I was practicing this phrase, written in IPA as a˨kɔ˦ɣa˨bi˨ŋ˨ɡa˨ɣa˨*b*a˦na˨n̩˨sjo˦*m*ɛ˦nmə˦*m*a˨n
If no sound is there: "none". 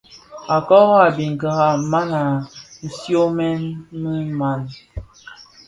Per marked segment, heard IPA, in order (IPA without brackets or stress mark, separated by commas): m, m, m